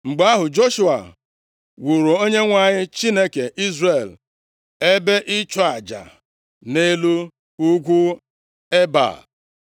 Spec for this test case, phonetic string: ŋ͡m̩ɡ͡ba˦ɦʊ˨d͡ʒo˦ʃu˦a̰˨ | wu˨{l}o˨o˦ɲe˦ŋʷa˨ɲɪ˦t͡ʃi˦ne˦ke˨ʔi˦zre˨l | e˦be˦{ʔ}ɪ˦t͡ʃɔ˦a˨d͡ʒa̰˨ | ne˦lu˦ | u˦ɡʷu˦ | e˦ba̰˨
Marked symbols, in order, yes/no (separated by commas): no, yes